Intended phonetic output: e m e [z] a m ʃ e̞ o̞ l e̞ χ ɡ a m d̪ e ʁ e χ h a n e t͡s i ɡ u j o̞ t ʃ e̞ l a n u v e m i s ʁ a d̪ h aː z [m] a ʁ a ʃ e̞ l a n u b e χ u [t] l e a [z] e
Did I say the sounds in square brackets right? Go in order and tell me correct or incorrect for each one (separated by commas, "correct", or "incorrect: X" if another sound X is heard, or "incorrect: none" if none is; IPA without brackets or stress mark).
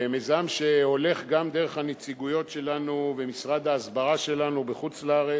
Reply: correct, incorrect: b, incorrect: t͡s, incorrect: ʁ